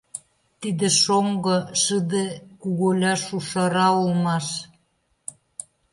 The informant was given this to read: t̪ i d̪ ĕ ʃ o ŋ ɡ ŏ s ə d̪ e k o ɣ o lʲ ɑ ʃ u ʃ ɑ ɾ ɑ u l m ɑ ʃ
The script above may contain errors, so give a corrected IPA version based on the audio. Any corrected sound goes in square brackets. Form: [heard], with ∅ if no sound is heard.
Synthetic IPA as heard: t̪ i d̪ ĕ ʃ o ŋ ɡ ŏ [ʃ] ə d̪ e k [u] ɣ o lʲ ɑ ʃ u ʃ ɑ ɾ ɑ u l m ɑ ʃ